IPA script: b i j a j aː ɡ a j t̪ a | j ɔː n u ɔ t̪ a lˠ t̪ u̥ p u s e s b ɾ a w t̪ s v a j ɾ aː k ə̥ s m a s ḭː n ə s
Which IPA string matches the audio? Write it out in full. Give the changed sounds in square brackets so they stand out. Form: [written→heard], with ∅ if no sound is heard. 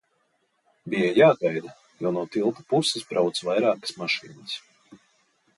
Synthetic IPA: b i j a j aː ɡ a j [t̪→d̪] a | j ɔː n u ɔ t̪ [a→i] lˠ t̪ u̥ p u s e s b ɾ a w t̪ s v a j ɾ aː k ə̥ s m a [s→ʃ] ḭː n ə s